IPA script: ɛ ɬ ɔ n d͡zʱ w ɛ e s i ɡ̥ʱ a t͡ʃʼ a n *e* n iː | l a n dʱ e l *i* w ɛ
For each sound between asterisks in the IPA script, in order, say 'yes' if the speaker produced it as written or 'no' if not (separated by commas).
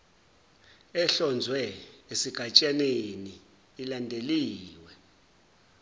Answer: yes, no